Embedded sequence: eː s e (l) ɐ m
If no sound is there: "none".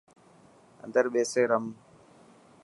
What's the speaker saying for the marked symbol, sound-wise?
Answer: ɾ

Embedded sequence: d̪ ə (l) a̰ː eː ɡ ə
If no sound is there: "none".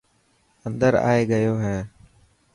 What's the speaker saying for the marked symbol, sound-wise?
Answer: ɾ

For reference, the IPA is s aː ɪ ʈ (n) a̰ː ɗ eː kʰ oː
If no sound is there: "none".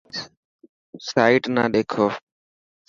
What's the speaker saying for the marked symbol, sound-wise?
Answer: n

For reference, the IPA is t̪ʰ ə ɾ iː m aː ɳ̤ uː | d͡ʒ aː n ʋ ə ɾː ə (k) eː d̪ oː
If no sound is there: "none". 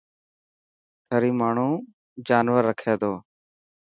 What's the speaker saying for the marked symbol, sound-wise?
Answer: kʰ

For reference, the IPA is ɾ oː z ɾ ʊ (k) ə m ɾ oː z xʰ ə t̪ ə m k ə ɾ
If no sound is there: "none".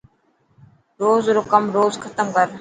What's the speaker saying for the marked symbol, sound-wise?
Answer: k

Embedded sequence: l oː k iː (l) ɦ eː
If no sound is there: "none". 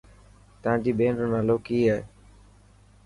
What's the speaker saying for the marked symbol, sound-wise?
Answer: none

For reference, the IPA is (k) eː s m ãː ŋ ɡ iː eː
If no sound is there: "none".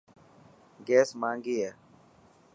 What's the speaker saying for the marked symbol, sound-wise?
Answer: ɡ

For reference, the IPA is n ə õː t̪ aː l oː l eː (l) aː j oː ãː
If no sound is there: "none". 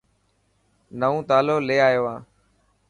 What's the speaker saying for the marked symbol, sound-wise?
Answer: none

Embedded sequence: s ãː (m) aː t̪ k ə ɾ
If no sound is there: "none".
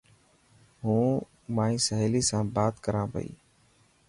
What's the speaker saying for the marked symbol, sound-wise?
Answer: b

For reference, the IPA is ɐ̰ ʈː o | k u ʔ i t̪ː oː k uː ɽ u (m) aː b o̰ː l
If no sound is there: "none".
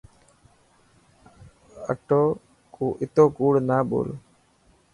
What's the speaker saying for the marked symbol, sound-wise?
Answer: n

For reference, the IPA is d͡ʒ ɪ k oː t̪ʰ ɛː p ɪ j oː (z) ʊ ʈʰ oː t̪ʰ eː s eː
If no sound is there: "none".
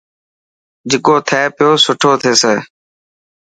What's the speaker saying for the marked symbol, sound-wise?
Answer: s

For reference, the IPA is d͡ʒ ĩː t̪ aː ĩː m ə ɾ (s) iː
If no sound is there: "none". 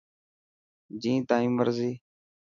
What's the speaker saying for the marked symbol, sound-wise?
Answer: z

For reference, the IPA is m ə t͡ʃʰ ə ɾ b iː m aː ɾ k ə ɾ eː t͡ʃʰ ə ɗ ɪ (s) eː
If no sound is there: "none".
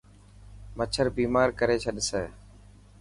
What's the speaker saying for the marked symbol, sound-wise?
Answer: s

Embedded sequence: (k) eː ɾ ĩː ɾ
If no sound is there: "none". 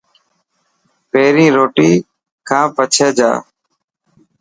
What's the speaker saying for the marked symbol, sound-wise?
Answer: p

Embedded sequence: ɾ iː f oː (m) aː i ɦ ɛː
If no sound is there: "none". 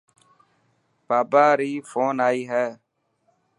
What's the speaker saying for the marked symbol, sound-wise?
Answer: n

